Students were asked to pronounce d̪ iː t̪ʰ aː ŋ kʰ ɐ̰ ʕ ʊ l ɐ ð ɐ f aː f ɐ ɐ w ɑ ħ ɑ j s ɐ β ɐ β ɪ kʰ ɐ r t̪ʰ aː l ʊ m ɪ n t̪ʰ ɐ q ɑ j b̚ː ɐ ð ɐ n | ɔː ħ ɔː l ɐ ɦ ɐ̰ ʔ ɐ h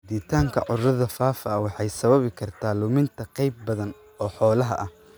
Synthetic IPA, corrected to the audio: d̪ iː t̪ʰ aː ŋ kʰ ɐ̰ ʕ ʊ r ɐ ð ɐ f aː f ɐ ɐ w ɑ ħ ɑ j s ɐ β ɐ β ɪ kʰ ɐ r t̪ʰ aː l ʊ m ɪ n t̪ʰ ɐ q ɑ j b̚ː ɐ ð ɐ n | ɔː ħ ɔː l ɐ ɦ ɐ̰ ʔ ɐ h